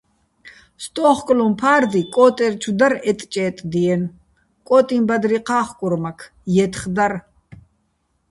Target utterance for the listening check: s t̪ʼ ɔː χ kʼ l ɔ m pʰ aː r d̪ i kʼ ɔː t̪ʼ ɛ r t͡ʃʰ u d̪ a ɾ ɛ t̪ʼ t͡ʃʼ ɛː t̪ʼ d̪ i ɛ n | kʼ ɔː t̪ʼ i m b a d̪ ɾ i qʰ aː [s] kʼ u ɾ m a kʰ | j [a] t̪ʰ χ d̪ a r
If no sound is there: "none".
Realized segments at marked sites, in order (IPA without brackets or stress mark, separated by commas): χ, ɛ